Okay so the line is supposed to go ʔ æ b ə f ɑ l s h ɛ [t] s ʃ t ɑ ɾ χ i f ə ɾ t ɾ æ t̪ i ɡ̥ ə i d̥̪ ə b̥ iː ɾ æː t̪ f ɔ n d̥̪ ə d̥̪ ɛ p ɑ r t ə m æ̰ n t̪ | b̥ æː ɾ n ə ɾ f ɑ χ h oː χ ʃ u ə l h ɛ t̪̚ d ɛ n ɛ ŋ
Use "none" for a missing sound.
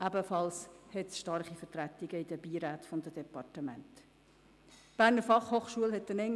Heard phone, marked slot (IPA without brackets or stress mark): t